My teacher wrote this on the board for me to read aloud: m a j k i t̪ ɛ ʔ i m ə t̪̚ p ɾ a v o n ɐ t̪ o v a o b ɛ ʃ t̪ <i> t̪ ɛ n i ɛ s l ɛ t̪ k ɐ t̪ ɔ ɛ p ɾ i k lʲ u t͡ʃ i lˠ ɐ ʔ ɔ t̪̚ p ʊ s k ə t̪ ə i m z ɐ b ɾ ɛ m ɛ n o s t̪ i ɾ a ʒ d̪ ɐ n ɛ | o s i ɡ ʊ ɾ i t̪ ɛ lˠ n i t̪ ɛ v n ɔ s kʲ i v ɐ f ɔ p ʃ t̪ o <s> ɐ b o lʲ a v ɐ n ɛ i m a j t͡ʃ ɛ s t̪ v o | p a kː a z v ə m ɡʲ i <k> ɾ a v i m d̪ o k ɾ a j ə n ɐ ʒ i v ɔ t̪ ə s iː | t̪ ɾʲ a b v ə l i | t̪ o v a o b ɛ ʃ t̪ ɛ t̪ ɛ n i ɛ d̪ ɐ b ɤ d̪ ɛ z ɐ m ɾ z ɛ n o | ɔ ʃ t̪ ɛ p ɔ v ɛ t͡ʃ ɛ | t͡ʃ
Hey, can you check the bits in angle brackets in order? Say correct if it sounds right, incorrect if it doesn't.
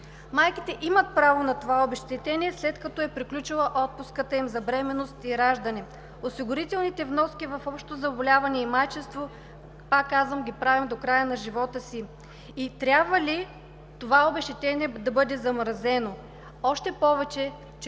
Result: incorrect: ɛ, incorrect: z, incorrect: p

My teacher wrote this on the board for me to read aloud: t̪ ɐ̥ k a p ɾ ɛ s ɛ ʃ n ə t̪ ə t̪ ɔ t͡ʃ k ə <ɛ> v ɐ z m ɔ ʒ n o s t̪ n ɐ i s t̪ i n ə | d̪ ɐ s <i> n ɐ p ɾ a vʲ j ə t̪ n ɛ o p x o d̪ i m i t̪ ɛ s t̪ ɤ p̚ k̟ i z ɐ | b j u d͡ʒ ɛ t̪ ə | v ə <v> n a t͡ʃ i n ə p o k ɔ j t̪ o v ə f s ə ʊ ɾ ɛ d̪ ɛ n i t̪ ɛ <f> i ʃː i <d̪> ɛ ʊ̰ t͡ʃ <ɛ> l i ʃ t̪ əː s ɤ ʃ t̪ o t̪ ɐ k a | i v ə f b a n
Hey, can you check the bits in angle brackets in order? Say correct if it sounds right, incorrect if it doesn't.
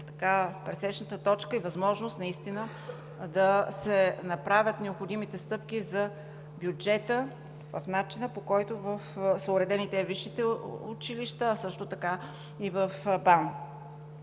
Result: incorrect: i, incorrect: ɛ, incorrect: f, incorrect: v, incorrect: t̪, incorrect: i

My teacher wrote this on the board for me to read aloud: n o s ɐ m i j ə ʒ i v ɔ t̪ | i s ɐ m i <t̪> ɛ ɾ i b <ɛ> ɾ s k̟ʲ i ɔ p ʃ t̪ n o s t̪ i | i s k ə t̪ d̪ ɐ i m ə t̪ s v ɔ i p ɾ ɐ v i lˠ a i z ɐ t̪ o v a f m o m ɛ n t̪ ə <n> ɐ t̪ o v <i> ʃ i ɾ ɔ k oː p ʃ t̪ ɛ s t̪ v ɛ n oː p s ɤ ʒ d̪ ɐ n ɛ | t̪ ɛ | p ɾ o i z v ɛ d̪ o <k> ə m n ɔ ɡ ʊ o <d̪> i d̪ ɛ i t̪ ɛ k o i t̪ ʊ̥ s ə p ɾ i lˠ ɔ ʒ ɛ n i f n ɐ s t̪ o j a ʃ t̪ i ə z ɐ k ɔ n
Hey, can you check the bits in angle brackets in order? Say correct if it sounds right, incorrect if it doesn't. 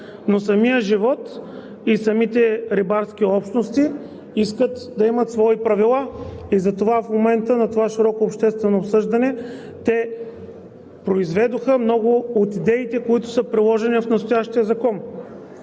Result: correct, incorrect: a, correct, incorrect: a, incorrect: x, incorrect: t̪

